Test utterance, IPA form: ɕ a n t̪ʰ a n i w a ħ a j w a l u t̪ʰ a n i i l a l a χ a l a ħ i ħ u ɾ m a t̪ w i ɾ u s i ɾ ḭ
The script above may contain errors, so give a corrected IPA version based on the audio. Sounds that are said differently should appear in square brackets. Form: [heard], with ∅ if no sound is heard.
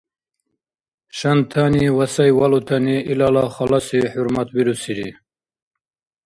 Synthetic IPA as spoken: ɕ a n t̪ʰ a n i w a [s] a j w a l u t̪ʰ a n i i l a l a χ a l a [s] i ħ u ɾ m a t̪ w i ɾ u s i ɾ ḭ